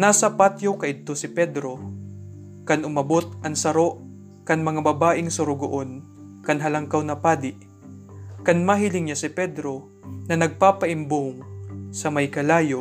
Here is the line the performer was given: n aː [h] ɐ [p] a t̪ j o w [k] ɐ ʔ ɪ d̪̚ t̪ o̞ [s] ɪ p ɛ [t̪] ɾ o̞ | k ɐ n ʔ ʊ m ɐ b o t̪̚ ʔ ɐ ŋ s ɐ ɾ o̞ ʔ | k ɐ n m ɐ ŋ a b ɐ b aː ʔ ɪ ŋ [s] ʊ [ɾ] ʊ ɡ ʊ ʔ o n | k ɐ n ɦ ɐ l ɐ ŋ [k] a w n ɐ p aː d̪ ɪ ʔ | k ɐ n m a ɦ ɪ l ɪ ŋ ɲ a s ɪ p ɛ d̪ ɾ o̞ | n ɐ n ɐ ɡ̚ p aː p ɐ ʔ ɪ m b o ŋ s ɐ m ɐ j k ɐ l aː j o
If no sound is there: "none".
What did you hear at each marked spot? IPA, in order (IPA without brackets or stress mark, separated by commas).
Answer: s, p, k, s, d̪, s, ɾ, k